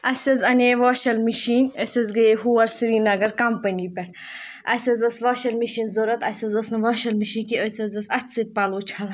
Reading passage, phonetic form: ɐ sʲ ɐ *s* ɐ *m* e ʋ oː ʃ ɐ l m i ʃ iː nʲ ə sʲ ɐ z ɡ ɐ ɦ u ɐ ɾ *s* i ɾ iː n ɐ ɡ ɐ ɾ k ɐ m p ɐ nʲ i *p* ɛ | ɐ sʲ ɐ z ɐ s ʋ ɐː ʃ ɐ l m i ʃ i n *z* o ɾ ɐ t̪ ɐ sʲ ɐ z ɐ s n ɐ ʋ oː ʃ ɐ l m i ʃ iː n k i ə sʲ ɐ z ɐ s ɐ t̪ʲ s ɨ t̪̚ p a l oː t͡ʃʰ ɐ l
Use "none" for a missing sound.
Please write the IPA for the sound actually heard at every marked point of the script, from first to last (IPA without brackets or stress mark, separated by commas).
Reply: z, n, s, p, z